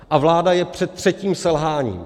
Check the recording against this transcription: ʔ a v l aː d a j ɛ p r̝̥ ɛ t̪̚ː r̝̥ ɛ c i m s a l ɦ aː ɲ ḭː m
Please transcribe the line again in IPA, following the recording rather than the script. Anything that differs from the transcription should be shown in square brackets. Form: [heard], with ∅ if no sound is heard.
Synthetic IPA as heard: ʔ a v l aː d a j ɛ p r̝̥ ɛ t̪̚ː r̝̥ ɛ c [iː] m s [ɛ] l ɦ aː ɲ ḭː m